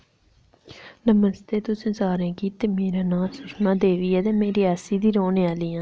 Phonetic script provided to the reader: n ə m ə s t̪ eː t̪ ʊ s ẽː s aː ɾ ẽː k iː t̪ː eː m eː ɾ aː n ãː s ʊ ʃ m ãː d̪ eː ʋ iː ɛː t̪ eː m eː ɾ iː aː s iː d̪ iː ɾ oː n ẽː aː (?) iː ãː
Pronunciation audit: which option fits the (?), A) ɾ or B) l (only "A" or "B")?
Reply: B